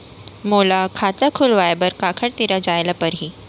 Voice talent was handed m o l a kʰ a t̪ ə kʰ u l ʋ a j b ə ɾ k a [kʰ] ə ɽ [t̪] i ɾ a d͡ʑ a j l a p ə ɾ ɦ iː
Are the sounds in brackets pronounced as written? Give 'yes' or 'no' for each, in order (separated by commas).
yes, yes